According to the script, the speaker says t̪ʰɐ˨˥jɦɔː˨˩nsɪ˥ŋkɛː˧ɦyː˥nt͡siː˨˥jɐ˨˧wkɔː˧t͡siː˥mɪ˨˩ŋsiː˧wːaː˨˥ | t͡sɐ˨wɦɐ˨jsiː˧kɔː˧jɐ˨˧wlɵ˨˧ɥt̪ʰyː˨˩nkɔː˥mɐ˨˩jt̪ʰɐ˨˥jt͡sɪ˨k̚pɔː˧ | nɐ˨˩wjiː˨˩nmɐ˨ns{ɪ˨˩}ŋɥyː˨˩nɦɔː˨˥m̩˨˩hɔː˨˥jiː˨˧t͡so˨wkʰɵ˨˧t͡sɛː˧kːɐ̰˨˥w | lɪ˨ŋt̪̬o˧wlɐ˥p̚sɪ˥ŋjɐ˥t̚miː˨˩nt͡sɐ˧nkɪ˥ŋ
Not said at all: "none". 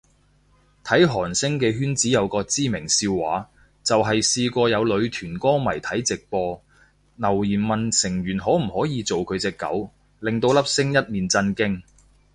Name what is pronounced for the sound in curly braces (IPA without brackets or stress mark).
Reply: ɪ˨˩